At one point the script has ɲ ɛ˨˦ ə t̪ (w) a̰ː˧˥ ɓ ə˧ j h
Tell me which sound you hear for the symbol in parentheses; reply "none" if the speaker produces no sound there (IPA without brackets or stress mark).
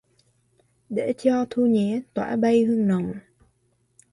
w